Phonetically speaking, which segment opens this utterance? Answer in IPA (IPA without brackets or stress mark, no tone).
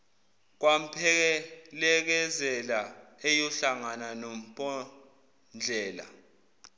k̬